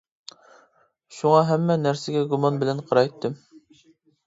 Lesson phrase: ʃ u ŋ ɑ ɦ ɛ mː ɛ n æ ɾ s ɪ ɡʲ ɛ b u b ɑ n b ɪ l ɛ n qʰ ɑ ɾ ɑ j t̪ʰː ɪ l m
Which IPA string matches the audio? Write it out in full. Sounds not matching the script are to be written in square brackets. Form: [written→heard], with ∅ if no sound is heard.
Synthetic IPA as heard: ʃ u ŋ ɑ ɦ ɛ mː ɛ n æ ɾ s ɪ ɡʲ ɛ [b→ɡ] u [b→m] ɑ n b ɪ l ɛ n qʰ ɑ ɾ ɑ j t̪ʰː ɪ [l→∅] m